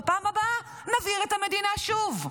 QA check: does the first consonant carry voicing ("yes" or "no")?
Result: no